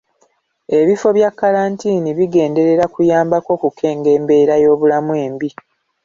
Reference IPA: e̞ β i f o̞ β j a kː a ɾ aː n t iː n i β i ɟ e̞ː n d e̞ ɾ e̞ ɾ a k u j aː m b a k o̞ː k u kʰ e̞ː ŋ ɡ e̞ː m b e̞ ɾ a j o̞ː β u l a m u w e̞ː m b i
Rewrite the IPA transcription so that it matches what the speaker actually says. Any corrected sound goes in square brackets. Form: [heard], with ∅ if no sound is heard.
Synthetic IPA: e̞ β i f o̞ β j a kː a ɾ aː n t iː n i β i [ɡ] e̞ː n d e̞ ɾ e̞ ɾ a k u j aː m b a k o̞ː k u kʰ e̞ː ŋ ɡ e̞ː m b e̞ ɾ a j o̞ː β u l a m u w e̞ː m b i